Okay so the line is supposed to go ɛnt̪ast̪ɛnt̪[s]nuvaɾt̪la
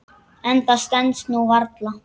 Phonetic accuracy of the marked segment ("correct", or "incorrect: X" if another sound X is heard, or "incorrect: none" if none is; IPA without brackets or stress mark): correct